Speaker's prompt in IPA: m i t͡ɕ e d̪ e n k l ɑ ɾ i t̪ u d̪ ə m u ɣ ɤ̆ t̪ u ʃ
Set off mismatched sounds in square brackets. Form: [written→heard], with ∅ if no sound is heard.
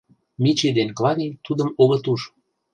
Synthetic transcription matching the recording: m i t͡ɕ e d̪ e n k l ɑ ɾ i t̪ u d̪ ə m [u→o] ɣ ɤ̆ t̪ u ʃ